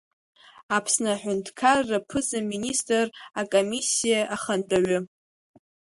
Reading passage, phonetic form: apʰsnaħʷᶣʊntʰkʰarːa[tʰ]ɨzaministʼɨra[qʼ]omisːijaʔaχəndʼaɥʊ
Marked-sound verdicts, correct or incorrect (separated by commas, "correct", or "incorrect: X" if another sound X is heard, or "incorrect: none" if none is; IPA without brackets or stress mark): incorrect: pʰ, incorrect: kʼ